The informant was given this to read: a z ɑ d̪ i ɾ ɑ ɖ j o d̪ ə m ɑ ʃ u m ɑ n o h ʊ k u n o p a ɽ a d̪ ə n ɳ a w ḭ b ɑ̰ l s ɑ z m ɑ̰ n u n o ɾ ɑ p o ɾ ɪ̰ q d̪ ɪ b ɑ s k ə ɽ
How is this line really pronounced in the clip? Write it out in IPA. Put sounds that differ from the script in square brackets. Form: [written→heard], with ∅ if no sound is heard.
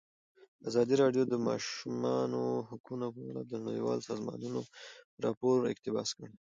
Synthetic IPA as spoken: a z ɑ d̪ i ɾ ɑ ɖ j o d̪ ə m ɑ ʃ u m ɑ n o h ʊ k u n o p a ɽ a d̪ ə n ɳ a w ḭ [b→w] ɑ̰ l s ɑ z m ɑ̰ n u n o ɾ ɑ p o ɾ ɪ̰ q [d̪→t̪] ɪ b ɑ s k ə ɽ